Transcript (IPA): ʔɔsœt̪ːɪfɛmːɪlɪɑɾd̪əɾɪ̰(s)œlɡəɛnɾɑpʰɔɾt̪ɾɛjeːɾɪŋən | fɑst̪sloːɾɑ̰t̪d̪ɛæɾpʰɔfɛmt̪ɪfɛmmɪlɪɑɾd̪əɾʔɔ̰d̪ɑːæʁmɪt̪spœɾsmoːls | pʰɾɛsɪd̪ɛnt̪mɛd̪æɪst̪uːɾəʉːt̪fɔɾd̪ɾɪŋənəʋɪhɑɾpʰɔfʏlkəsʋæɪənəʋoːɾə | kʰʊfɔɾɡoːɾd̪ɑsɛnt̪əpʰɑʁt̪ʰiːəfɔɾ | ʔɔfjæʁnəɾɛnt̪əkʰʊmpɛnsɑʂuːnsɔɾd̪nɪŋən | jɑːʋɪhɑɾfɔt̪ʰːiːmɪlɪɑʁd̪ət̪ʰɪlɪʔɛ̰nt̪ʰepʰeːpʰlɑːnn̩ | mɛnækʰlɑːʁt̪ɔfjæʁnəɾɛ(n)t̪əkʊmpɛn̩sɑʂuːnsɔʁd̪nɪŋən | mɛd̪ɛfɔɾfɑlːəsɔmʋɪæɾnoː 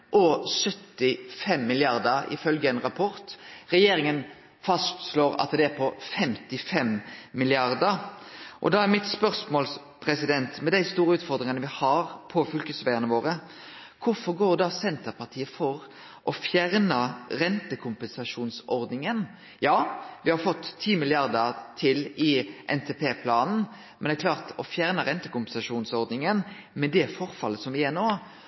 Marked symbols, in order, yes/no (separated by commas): no, yes